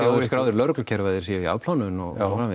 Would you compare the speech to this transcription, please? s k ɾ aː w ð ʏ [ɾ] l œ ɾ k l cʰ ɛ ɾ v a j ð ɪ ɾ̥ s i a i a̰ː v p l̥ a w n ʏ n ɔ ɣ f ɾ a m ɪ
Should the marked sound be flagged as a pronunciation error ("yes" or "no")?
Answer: no